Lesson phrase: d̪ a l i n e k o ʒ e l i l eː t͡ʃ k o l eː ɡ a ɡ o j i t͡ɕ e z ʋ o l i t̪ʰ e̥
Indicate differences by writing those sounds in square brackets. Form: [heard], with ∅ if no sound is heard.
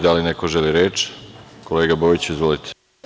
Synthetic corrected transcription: d̪ a l i n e k o ʒ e l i [ɾ] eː t͡ʃ k o l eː ɡ a [b] o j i t͡ɕ [i] z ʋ o l i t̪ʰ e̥